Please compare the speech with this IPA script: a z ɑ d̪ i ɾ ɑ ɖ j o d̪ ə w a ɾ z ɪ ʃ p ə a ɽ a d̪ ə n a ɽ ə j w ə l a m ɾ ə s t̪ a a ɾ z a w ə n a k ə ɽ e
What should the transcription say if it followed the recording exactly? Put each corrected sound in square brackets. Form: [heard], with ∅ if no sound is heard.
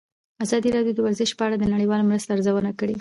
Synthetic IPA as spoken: a z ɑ d̪ i ɾ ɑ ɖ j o d̪ ə w a ɾ z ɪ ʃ p ə a ɽ a d̪ ə n a ɽ ə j w [ɑ] l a m ɾ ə s t̪ a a ɾ z a w ə n a k ə ɽ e